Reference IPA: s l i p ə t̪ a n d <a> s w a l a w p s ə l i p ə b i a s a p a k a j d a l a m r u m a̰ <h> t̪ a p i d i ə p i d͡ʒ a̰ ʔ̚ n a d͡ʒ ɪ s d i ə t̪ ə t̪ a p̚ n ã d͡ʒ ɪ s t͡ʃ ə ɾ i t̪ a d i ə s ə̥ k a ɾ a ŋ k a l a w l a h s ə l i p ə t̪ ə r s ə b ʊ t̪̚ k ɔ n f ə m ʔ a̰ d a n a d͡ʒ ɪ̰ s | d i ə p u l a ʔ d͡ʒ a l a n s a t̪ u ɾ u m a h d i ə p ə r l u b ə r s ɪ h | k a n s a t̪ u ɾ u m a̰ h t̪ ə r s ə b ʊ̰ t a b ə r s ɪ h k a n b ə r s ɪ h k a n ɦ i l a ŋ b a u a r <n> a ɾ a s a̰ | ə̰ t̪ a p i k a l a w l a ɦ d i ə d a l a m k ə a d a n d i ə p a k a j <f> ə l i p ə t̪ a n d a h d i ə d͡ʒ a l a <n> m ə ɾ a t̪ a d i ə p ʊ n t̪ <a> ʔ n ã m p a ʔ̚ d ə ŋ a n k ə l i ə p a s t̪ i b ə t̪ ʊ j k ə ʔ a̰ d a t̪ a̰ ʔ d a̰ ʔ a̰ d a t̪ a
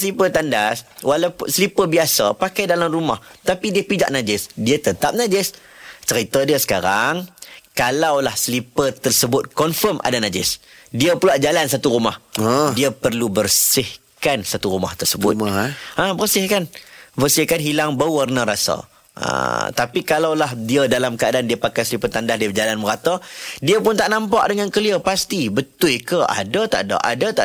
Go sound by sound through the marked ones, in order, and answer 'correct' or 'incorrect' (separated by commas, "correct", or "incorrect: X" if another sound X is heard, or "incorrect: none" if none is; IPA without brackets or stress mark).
correct, correct, correct, incorrect: s, correct, correct